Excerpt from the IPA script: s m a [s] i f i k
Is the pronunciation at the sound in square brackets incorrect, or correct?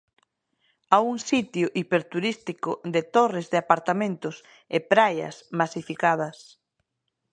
correct